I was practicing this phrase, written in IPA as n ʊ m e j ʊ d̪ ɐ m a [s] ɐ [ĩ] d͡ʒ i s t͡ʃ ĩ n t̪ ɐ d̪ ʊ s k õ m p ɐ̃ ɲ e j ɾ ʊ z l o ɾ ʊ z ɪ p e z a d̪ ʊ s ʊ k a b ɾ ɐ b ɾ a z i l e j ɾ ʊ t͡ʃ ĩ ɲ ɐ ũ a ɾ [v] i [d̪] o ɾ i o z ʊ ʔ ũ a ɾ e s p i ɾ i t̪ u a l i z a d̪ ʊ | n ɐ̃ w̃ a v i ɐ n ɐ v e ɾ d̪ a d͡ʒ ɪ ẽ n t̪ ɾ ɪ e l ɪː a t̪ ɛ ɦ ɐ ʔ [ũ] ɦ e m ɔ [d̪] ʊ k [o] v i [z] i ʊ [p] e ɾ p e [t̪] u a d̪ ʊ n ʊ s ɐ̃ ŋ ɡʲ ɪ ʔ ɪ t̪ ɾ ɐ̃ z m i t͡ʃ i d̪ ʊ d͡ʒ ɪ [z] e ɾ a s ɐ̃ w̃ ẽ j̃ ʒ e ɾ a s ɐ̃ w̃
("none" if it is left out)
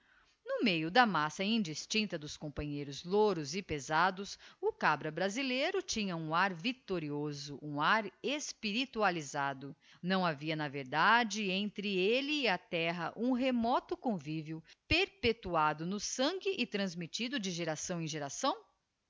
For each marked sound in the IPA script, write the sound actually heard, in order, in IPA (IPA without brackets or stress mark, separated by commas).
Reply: s, ĩ, v, t̪, ũ, t̪, õ, v, p, t̪, ʒ